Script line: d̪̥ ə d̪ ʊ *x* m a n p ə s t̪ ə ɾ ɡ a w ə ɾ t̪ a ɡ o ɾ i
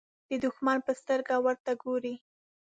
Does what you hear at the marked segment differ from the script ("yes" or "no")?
no